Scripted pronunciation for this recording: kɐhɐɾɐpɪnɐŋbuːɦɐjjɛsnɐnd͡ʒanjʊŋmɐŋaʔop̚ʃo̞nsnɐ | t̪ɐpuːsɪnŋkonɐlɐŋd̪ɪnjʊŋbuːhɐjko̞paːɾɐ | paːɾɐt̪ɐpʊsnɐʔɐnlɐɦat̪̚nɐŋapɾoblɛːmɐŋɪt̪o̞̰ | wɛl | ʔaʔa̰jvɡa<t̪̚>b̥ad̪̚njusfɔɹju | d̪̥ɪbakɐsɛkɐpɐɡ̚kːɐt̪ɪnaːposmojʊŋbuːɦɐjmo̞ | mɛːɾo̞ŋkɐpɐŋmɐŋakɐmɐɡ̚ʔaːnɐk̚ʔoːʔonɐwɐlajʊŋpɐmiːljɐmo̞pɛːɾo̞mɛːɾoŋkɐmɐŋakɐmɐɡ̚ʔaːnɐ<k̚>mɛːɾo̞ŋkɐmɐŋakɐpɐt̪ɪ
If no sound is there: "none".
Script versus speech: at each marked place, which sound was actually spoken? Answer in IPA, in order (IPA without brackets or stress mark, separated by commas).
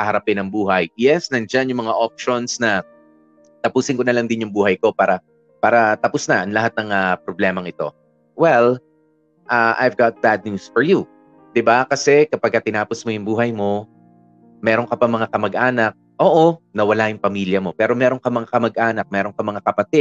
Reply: t̪̚, k̚